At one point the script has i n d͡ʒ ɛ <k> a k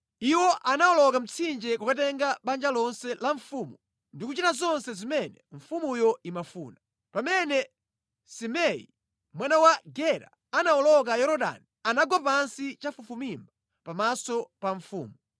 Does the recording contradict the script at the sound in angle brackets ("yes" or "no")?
no